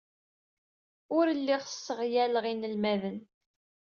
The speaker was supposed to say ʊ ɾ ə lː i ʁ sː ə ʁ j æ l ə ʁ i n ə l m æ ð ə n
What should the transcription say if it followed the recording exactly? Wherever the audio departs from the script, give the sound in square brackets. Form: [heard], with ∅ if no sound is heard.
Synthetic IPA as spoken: ʊ ɾ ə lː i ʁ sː ə ʁ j æ l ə ʁ i n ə l m æ ð ə n